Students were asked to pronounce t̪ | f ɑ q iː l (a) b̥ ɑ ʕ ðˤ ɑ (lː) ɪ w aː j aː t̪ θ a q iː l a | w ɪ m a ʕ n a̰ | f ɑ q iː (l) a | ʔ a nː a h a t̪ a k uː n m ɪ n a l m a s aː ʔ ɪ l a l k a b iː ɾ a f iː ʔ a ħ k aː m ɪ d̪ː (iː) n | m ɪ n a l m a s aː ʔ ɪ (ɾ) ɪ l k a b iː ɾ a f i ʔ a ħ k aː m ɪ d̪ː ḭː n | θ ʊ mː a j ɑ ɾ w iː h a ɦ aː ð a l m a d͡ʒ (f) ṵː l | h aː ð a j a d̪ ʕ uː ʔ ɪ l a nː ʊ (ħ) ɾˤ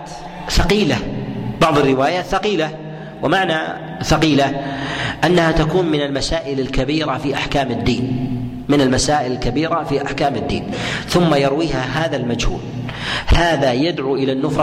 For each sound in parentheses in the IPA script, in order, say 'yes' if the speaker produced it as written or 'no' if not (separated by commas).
yes, no, yes, yes, no, no, no